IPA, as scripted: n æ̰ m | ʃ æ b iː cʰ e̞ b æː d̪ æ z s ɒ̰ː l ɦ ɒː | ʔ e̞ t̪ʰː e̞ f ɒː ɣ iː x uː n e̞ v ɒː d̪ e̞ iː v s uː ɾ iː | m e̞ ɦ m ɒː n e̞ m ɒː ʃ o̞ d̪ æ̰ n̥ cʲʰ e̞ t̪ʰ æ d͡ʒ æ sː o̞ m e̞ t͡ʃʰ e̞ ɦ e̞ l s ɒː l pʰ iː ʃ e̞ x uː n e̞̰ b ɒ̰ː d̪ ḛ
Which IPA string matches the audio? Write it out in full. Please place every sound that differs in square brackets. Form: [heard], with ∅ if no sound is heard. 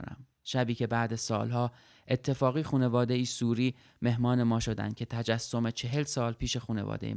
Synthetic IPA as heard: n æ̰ m | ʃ æ b iː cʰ e̞ b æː d̪ æ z s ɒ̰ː l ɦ ɒː | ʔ e̞ t̪ʰː e̞ f ɒː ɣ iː x uː n e̞ v ɒː d̪ e̞ iː [∅] s uː ɾ iː | m e̞ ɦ m ɒː n e̞ m ɒː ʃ o̞ d̪ æ̰ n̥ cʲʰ e̞ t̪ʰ æ d͡ʒ æ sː o̞ m e̞ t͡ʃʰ e̞ ɦ e̞ l s ɒː l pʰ iː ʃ e̞ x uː n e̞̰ [v] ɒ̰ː d̪ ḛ